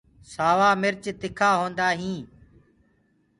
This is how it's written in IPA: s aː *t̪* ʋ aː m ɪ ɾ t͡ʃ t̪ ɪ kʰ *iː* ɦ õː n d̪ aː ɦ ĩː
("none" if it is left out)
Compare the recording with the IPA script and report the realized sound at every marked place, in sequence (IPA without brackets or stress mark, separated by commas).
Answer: none, aː